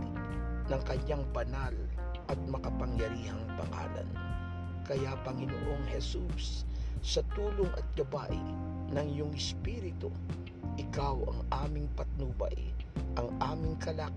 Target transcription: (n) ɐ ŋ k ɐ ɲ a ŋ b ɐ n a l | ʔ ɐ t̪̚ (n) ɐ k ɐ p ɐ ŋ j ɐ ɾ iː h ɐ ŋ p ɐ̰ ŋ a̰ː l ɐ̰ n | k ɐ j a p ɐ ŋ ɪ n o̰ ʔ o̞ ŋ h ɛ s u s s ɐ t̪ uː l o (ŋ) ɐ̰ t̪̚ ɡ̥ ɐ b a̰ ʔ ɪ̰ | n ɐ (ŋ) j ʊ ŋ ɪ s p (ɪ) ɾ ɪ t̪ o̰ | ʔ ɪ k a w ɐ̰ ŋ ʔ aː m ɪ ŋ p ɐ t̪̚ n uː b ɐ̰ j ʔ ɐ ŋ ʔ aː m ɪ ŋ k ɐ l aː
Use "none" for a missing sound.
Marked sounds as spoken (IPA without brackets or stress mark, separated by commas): n, m, ŋ, ŋ, i